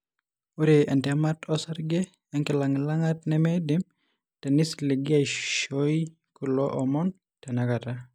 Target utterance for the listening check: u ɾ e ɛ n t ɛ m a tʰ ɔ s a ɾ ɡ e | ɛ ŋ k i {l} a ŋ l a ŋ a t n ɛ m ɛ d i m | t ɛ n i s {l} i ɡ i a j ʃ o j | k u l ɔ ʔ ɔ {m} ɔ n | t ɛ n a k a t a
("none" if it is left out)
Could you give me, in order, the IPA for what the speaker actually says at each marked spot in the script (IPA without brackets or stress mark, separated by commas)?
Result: l, l, m